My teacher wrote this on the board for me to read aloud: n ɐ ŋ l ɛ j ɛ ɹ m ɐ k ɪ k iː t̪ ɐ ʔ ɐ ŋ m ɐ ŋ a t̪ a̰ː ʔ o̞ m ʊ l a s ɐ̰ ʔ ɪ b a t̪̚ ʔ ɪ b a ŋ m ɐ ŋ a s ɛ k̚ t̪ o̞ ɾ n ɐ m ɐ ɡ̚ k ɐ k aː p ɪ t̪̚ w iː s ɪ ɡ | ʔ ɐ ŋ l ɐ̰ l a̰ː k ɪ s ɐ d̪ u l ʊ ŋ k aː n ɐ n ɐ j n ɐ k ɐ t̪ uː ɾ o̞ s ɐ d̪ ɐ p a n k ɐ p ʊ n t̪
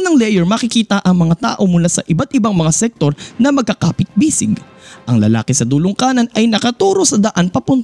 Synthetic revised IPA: n ɐ ŋ l ɛ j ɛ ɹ m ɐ k ɪ k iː t̪ ɐ ʔ ɐ ŋ m ɐ ŋ a t̪ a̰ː ʔ o̞ m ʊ l a s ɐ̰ ʔ ɪ b a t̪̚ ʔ ɪ b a ŋ m ɐ ŋ a s ɛ k̚ t̪ o̞ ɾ n ɐ m ɐ ɡ̚ k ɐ k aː p ɪ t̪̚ b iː s ɪ ɡ | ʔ ɐ ŋ l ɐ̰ l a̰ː k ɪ s ɐ d̪ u l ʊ ŋ k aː n ɐ n ɐ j n ɐ k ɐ t̪ uː ɾ o̞ s ɐ d̪ ɐ ʔ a n p ɐ p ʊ n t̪